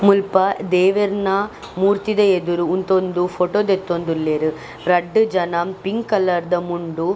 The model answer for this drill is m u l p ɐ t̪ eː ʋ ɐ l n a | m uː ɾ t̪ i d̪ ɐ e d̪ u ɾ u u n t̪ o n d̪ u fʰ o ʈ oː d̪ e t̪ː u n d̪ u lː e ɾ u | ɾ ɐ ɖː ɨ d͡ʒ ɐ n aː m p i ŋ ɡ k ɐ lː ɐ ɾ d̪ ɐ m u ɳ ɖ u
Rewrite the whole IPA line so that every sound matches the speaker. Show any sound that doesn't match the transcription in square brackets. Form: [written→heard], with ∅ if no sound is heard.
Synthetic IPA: m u l p ɐ [t̪→d̪] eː ʋ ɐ [l→ɾ] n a | m uː ɾ t̪ i d̪ ɐ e d̪ u ɾ u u n t̪ o n d̪ u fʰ o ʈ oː d̪ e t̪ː [u→o] n d̪ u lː e ɾ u | ɾ ɐ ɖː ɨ d͡ʒ ɐ n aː m p i ŋ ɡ k ɐ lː ɐ ɾ d̪ ɐ m u ɳ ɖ u